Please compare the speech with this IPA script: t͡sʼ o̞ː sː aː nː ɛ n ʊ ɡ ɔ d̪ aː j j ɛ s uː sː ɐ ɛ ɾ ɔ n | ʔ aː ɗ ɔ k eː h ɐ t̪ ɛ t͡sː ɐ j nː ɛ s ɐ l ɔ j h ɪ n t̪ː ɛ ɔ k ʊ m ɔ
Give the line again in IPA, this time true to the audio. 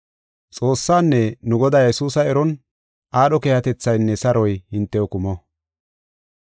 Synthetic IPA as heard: t͡sʼ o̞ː sː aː nː ɛ n ʊ ɡ ɔ d̪ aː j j ɛ s uː s ɐ ɛ ɾ ɔ n | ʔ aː ɗ ɔ k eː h ɐ t̪ ɛ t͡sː ɐ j nː ɛ s ɐ ɾ ɔ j h ɪ n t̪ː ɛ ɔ k ʊ m ɔ